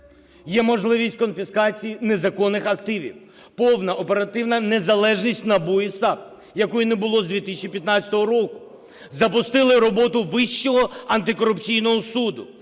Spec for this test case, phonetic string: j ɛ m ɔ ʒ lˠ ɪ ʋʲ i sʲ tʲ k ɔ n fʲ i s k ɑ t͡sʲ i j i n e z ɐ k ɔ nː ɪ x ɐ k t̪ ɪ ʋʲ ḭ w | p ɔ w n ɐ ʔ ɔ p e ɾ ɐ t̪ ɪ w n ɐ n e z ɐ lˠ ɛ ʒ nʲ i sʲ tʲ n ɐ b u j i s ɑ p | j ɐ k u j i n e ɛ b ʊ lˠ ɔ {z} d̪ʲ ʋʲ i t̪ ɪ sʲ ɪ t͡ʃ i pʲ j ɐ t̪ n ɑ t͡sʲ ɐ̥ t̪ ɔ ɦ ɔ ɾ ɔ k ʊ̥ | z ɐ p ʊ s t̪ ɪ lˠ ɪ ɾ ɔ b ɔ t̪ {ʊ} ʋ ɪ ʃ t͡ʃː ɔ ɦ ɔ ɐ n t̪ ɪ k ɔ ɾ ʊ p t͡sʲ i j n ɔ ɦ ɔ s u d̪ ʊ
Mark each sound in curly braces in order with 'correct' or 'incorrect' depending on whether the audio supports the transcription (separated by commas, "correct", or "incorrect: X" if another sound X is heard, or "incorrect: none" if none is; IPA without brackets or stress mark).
correct, correct